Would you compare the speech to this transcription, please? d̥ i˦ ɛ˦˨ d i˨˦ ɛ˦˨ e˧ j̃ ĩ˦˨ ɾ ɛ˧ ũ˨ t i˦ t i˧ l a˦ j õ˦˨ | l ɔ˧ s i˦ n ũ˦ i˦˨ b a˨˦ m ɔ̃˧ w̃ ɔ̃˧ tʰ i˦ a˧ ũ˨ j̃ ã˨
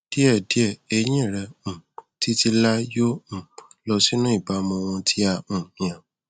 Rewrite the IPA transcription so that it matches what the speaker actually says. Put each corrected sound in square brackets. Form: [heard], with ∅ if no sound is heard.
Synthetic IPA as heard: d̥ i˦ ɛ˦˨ d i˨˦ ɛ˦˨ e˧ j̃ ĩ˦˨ ɾ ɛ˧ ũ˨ t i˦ t i˧ l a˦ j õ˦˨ | l ɔ˧ s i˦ n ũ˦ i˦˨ b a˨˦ m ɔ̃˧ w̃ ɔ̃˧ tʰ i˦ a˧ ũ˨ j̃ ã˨